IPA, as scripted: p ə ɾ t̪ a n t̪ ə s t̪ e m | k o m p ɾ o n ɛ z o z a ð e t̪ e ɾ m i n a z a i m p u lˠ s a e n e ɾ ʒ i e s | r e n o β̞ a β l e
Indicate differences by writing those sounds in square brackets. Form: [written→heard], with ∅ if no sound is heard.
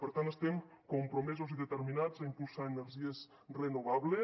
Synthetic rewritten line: p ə ɾ t̪ a n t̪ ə s t̪ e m | k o m p ɾ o [n→m] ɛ z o z [a→i] ð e t̪ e ɾ m i n a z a i m p u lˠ s a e n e ɾ ʒ i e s | r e n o β̞ a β l e